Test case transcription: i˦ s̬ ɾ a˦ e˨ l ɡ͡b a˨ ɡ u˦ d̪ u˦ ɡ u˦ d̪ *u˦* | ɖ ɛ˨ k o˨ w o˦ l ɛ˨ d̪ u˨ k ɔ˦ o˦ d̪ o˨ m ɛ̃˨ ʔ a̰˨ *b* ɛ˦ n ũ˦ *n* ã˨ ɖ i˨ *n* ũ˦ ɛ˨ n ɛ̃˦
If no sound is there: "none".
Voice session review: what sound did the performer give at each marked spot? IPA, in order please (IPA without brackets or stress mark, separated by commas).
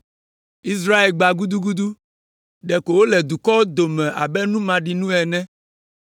u˦, b, m, n